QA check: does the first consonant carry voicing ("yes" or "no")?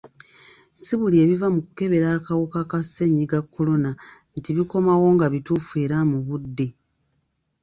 no